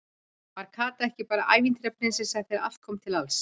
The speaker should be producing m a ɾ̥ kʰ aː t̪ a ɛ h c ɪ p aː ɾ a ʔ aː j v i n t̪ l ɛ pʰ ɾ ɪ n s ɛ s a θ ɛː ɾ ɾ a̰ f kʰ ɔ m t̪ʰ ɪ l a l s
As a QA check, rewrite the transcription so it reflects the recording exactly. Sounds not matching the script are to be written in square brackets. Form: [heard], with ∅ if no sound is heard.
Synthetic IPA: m a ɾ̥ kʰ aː t̪ a ɛ h c ɪ p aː ɾ a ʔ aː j v i n t̪ [ɾ] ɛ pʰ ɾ ɪ n s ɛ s a θ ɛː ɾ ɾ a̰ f kʰ ɔ m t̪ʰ ɪ l a l s

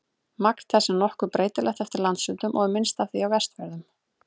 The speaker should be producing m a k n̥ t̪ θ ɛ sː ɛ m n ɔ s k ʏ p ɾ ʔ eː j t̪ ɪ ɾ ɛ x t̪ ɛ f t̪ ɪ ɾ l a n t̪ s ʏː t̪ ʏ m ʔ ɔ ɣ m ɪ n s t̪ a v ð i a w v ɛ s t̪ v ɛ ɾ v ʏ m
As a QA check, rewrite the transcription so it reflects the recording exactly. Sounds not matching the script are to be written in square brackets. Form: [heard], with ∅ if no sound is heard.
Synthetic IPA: m a k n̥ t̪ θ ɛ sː ɛ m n ɔ [h] k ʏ p ɾ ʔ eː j t̪ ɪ [l] ɛ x t̪ ɛ f t̪ ɪ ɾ l a n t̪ s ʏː t̪ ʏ m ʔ ɔ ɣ m ɪ n s t̪ a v [θ] i a w v ɛ s t̪ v ɛ ɾ [ð] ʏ m

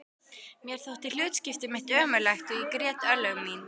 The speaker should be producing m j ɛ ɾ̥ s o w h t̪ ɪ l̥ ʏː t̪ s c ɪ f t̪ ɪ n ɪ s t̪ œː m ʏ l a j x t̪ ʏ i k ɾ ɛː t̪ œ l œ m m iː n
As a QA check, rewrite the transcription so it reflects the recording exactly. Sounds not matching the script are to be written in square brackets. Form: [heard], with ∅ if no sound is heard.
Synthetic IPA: m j ɛ ɾ̥ [θ] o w h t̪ ɪ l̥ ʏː t̪ s c ɪ f t̪ ɪ [m] ɪ [h] t̪ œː m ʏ l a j x t̪ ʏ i k ɾ ɛː t̪ œ l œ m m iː n

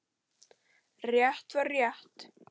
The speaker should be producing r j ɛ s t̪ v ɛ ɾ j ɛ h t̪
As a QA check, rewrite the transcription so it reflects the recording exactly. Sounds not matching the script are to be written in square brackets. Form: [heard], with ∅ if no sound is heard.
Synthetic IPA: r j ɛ [h] t̪ v [a] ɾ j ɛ h t̪

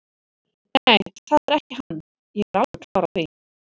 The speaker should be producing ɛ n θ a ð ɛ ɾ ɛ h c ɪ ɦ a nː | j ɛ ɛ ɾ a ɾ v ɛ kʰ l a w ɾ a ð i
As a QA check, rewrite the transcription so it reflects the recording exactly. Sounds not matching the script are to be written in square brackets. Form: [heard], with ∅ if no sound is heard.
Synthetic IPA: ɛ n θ a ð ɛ ɾ ɛ h c ɪ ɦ a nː | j ɛ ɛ ɾ a [l] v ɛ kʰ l a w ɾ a [θ] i

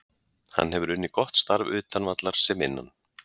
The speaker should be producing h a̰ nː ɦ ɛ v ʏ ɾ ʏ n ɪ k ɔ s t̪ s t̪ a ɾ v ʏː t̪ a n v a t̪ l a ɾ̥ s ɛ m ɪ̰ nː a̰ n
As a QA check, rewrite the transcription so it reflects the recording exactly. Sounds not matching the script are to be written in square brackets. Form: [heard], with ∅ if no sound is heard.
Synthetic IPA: h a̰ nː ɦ ɛ v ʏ ɾ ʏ [nː] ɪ k ɔ [h] t̪ s t̪ a ɾ v ʏː t̪ a n v a t̪ l a ɾ̥ s ɛ m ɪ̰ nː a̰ n

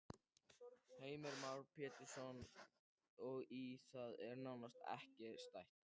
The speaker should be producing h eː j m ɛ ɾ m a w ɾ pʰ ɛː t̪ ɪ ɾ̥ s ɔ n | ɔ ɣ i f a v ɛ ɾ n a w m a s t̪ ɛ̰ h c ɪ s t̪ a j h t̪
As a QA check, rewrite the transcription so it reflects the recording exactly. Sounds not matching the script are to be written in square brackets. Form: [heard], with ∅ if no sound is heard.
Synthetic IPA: h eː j m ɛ ɾ m a w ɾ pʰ ɛː t̪ ɪ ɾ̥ s ɔ n | ɔ ɣ i [θ] a [ð] ɛ ɾ n a w [n] a s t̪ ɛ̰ h c ɪ s t̪ a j h t̪

